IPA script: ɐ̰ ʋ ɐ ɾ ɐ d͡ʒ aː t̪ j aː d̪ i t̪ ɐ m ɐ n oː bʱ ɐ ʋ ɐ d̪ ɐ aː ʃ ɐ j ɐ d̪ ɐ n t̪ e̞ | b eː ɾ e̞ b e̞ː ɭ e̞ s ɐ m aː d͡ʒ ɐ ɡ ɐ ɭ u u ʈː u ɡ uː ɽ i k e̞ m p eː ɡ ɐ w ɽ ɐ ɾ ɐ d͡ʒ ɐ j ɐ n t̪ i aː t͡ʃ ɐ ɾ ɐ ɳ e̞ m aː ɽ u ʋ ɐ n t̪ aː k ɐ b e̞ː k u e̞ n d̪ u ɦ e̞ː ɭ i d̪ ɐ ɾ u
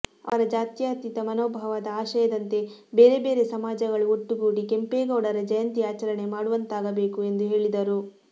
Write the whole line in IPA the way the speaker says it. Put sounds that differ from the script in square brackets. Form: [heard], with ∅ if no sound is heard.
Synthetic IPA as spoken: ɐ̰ ʋ ɐ ɾ ɐ d͡ʒ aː t̪ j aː [t̪] i t̪ ɐ m ɐ n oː bʱ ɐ ʋ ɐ d̪ ɐ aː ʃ ɐ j ɐ d̪ ɐ n t̪ e̞ | b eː ɾ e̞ b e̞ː [ɾ] e̞ s ɐ m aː d͡ʒ ɐ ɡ ɐ ɭ u [o] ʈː u ɡ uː ɽ i k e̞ m p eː ɡ ɐ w ɽ ɐ ɾ ɐ d͡ʒ ɐ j ɐ n t̪ i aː t͡ʃ ɐ ɾ ɐ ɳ e̞ m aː ɽ u ʋ ɐ n t̪ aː [ɡ] ɐ b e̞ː k u e̞ n d̪ u ɦ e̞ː ɭ i d̪ ɐ ɾ u